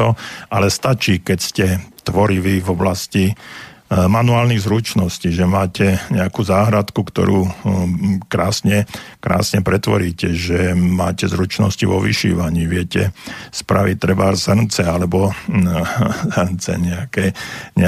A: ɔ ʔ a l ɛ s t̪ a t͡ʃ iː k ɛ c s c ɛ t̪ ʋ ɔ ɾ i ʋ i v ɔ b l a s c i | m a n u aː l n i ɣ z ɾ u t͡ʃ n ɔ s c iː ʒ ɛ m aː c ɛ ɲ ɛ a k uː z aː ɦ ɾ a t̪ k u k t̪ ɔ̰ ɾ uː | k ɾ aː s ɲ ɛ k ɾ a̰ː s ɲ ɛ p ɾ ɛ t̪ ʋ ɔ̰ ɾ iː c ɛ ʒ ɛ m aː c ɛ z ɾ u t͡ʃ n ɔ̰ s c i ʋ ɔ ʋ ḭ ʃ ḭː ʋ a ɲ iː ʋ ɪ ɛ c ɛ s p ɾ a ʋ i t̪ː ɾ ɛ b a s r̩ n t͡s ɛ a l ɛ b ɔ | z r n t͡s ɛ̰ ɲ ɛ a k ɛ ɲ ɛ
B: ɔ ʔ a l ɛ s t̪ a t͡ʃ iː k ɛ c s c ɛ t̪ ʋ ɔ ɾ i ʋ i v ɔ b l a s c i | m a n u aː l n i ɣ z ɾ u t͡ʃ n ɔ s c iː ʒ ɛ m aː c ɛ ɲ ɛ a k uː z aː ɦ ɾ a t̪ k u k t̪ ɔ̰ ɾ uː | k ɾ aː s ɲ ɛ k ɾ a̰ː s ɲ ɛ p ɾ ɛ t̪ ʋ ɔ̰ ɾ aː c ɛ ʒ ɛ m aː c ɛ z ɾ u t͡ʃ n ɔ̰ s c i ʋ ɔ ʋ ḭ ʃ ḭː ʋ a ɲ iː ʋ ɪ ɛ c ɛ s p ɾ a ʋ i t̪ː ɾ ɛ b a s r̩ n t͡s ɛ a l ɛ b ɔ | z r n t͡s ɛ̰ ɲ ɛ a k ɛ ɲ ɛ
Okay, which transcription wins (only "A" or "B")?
A